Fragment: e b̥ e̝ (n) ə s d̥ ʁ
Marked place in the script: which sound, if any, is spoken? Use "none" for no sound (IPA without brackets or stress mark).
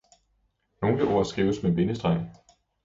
n